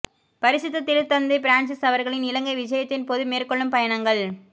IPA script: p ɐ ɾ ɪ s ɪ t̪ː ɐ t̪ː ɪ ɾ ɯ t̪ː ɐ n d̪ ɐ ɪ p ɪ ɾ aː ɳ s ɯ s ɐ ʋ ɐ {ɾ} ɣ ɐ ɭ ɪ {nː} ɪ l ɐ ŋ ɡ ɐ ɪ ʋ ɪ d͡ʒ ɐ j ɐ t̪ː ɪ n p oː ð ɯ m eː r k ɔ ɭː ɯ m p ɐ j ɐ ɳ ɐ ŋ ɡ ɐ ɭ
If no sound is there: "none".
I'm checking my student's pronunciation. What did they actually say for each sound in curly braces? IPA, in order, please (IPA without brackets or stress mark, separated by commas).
ɾ, n